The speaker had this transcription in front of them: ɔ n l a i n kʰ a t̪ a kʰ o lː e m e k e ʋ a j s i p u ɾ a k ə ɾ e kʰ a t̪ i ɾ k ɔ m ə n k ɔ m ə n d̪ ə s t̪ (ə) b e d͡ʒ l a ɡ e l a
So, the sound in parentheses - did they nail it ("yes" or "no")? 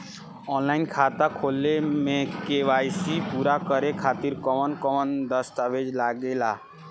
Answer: no